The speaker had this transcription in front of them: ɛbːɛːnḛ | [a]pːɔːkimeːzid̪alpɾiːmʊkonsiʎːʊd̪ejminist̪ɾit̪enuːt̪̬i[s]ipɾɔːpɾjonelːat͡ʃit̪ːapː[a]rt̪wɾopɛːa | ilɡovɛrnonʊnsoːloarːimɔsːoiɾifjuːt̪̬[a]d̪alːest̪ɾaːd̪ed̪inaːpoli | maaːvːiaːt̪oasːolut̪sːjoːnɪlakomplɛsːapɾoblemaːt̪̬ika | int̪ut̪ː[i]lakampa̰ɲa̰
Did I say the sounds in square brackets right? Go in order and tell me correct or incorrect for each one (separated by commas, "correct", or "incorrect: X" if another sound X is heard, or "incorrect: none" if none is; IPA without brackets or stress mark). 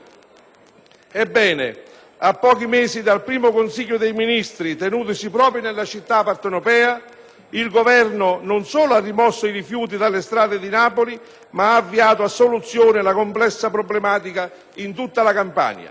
correct, correct, correct, incorrect: i, incorrect: a